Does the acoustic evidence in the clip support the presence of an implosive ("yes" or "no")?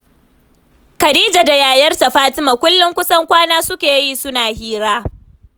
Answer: no